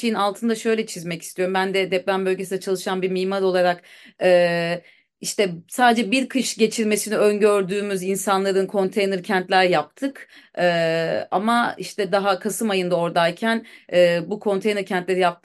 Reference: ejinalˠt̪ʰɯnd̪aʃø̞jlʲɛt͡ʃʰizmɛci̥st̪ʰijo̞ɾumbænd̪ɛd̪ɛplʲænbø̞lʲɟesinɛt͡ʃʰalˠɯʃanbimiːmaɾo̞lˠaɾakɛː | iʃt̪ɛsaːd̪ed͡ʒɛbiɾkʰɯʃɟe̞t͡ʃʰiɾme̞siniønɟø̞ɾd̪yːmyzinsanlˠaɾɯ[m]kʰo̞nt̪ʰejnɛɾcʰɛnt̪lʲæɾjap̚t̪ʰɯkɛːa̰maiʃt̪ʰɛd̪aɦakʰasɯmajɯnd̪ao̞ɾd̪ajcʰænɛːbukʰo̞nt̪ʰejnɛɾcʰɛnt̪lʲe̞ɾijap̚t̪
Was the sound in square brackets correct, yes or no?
no